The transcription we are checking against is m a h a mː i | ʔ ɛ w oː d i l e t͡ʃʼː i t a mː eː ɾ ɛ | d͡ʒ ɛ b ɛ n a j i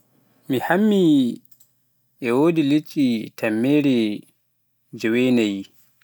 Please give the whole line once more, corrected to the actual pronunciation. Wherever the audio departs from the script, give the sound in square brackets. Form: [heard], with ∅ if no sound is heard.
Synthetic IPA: m [i] h a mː i | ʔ ɛ w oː d i l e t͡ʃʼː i t a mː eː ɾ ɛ | d͡ʒ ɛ [w] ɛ n a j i